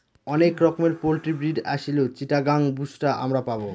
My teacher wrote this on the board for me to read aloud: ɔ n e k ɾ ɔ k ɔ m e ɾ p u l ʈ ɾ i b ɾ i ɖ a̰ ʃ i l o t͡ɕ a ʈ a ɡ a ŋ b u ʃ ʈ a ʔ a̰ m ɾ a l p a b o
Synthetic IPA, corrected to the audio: ɔ n e k ɾ ɔ k o m e ɾ p o l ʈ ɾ i b ɾ i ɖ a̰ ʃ i l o t͡ɕ i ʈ a ɡ a ŋ b u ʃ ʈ a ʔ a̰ m ɾ a p a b o